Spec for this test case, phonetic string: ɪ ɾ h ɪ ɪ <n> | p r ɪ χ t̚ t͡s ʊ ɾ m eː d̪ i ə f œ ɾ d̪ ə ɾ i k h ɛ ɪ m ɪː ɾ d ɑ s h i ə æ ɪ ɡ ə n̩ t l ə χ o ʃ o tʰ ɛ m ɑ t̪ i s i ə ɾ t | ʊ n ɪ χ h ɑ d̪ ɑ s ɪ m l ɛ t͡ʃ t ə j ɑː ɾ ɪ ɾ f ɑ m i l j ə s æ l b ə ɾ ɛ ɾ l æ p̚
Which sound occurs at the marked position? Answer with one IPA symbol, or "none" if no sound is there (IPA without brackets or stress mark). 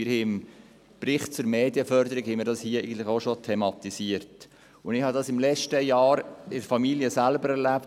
m